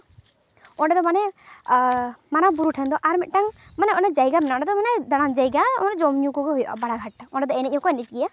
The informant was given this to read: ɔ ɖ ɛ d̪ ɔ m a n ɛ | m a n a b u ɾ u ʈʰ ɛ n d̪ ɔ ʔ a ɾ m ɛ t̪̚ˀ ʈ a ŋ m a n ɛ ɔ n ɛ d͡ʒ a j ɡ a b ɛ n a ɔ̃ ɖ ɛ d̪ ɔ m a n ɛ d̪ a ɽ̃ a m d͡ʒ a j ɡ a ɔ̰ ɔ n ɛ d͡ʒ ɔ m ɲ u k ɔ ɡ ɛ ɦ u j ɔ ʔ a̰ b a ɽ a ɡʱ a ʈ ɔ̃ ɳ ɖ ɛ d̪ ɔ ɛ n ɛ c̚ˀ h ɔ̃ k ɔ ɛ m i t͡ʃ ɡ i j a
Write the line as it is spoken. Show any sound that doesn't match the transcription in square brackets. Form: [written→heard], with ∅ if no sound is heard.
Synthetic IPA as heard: ɔ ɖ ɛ d̪ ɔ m a n ɛ | m a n a b u ɾ u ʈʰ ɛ n d̪ ɔ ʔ a ɾ m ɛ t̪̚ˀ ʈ a ŋ m a n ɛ ɔ n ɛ d͡ʒ a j ɡ a [b→m] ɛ n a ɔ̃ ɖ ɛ d̪ ɔ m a n ɛ d̪ a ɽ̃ a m d͡ʒ a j ɡ a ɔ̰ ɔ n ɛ d͡ʒ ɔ m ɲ u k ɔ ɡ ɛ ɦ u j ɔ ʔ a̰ b a ɽ a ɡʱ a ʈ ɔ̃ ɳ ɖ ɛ d̪ ɔ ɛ n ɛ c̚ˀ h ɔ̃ k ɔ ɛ [m→n] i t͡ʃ ɡ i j a